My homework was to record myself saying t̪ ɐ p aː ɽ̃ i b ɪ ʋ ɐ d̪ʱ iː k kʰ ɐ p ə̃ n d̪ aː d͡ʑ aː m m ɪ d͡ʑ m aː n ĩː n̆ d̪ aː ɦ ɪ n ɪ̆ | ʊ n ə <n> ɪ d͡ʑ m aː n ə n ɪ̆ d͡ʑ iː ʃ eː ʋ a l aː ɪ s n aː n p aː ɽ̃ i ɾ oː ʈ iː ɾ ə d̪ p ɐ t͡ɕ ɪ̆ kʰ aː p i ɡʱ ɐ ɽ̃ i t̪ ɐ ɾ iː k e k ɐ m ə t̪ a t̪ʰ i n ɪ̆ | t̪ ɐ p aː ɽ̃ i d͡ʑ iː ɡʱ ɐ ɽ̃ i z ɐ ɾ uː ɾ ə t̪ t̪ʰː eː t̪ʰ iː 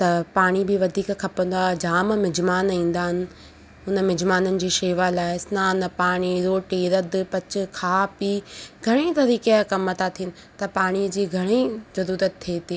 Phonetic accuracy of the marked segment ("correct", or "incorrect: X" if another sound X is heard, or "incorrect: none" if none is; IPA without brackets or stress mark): incorrect: m